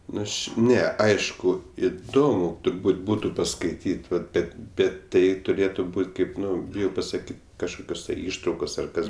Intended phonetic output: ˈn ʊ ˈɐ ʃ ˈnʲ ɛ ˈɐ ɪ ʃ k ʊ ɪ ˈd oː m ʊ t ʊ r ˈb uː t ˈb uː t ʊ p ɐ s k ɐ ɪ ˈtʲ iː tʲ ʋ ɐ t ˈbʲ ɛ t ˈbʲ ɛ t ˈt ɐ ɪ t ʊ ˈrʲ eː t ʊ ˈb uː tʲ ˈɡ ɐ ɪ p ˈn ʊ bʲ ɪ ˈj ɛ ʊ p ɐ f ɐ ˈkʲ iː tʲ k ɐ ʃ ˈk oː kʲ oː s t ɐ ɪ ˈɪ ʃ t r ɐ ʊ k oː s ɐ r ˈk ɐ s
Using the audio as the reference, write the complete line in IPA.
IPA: ˈn ʊ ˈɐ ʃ ˈnʲ ɛ ˈɐ ɪ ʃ k ʊ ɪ ˈd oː m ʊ t ʊ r ˈb uː t ˈb uː t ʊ p ɐ s k ɐ ɪ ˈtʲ iː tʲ ʋ ɐ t ˈbʲ ɛ t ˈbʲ ɛ t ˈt ɐ ɪ t ʊ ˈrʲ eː t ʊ ˈb uː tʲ ˈk ɐ ɪ p ˈn ʊ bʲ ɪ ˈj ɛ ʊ p ɐ s ɐ ˈkʲ iː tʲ k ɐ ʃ ˈk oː kʲ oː s t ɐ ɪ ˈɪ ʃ t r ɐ ʊ k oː s ɐ r ˈk ɐ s

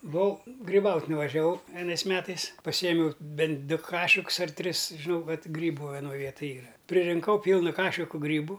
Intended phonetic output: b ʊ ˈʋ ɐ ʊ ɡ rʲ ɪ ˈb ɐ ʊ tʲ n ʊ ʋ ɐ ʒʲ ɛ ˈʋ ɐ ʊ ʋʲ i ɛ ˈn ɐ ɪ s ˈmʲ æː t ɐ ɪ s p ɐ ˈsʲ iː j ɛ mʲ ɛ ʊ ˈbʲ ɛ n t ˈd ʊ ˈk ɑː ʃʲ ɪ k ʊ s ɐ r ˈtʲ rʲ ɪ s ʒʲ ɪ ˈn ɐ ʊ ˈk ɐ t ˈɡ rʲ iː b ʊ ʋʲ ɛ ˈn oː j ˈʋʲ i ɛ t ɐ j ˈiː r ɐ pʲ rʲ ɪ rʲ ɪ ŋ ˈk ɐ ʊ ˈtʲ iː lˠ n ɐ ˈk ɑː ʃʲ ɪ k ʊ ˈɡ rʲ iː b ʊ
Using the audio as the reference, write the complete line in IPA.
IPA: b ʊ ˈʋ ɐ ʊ ɡ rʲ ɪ ˈb ɐ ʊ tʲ n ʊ ʋ ɐ ʒʲ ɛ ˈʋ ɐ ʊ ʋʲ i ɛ ˈn ɐ ɪ s ˈmʲ æː t ɐ ɪ s p ɐ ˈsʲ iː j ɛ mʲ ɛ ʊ ˈbʲ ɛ n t ˈd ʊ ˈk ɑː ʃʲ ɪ k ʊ s ɐ r ˈtʲ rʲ ɪ s ʒʲ ɪ ˈn ɐ ʊ ˈk ɐ t ˈɡ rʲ iː b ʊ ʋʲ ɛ ˈn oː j ˈʋʲ i ɛ t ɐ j ˈiː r ɐ pʲ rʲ ɪ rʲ ɪ ŋ ˈk ɐ ʊ ˈpʲ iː lˠ n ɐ ˈk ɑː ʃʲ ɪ k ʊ ˈɡ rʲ iː b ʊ

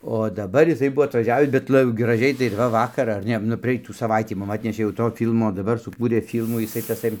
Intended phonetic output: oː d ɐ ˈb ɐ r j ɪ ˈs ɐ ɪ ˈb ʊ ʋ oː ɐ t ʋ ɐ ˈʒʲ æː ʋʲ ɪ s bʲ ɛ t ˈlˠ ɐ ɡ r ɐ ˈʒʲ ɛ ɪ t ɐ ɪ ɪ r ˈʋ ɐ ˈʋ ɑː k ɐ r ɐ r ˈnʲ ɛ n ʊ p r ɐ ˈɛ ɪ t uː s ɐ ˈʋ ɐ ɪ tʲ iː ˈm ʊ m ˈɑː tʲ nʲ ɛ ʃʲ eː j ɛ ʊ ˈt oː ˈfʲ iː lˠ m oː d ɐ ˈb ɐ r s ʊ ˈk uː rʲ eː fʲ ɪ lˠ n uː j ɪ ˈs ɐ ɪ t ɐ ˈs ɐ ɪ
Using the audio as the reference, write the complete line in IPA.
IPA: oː d ɐ ˈb ɐ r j ɪ ˈs ɐ ɪ ˈb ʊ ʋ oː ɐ t ʋ ɐ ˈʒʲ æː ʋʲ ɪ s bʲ ɛ t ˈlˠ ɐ ɡ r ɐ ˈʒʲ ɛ ɪ t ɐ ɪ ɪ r ˈʋ ɐ ˈʋ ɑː k ɐ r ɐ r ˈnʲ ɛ n ʊ p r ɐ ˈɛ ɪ t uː s ɐ ˈʋ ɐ ɪ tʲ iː ˈm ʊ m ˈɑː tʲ nʲ ɛ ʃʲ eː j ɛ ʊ ˈt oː ˈfʲ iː lˠ m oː d ɐ ˈb ɐ r s ʊ ˈk uː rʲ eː fʲ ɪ lˠ m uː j ɪ ˈs ɐ ɪ t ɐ ˈs ɐ ɪ

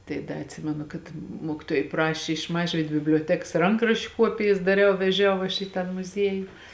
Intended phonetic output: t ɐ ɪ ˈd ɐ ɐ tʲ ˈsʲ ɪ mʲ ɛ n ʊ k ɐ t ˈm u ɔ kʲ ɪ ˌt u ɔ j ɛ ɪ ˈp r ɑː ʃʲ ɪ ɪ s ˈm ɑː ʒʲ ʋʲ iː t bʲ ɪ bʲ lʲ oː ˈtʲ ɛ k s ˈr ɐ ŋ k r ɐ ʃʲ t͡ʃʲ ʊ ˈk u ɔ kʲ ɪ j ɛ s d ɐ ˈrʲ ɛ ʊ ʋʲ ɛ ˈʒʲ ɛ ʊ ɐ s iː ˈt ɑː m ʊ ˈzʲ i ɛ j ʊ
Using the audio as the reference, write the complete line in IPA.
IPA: t ɐ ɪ ˈd ɐ ɐ tʲ ˈsʲ ɪ mʲ ɛ n ʊ k ɐ t ˈm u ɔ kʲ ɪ ˌt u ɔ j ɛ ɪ ˈp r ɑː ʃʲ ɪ ɪ ʃ ˈm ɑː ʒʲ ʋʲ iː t bʲ ɪ bʲ lʲ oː ˈtʲ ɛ k s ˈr ɐ ŋ k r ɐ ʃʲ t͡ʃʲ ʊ ˈk u ɔ pʲ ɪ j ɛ s d ɐ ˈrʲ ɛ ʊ ʋʲ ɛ ˈʒʲ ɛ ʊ ɐ ʃ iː ˈt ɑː m ʊ ˈzʲ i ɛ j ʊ

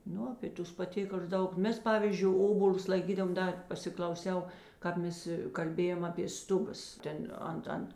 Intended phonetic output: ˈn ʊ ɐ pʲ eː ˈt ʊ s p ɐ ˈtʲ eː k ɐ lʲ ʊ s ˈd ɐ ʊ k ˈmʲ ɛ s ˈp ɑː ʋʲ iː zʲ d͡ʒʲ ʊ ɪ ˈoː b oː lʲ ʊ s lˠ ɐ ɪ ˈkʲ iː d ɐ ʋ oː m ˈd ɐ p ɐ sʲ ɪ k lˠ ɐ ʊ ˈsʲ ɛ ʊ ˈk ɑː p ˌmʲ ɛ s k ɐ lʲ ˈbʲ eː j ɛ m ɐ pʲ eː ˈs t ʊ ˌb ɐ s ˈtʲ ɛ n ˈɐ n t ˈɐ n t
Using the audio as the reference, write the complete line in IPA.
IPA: ˈn ʊ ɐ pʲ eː ˈt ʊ s p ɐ ˈtʲ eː k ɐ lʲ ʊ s ˈd ɐ ʊ k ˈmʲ ɛ s ˈp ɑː ʋʲ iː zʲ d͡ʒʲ ʊ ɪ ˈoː b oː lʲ ʊ s lˠ ɐ ɪ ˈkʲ iː d ɐ ʋ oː m ˈd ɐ p ɐ sʲ ɪ k lˠ ɐ ʊ ˈsʲ ɛ ʊ ˈk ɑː p ˌmʲ ɛ s k ɐ lʲ ˈbʲ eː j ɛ m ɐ pʲ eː ˈs t ʊ ˌb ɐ s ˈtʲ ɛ n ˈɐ n t ˈɐ n t

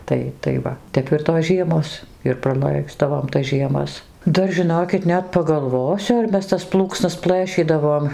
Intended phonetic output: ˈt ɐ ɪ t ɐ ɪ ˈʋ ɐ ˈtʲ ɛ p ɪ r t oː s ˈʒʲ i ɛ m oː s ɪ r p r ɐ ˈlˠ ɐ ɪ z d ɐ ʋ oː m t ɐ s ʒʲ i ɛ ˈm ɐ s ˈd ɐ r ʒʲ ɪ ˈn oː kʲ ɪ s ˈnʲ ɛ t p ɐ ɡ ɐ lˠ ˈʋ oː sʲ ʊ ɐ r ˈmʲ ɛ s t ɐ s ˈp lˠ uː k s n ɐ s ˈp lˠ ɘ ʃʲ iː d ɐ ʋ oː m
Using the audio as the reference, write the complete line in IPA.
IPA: ˈt ɐ ɪ t ɐ ɪ ˈʋ ɐ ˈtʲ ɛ p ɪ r t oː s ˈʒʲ i ɛ m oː s ɪ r p r ɐ ˈlˠ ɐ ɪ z d ɐ ʋ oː m t ɐ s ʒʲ i ɛ ˈm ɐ s ˈd ɐ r ʒʲ ɪ ˈn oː kʲ ɪ t ˈnʲ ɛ t p ɐ ɡ ɐ lˠ ˈʋ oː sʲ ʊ ɐ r ˈmʲ ɛ s t ɐ s ˈp lˠ uː k s n ɐ s ˈp lˠ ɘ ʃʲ iː d ɐ ʋ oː m

